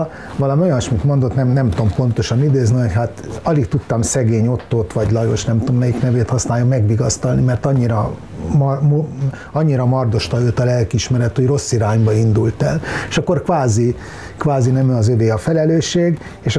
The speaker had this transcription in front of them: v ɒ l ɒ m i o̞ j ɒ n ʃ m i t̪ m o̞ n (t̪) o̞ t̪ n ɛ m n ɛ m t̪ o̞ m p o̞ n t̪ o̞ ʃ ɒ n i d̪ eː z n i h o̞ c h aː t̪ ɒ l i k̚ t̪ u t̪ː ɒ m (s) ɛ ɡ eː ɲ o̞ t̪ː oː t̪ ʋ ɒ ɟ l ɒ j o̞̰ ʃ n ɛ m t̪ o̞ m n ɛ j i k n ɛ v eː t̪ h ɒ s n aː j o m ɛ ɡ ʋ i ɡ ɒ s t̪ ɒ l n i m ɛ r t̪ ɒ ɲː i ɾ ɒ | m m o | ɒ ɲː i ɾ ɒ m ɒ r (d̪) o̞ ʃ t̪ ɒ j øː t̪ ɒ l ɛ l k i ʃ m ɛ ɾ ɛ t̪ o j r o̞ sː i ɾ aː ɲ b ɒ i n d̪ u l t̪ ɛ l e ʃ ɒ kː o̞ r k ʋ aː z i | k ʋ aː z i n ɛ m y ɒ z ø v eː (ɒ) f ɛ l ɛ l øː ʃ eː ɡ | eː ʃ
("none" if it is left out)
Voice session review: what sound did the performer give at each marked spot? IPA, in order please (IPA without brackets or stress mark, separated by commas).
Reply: d̪, s, d̪, ɒ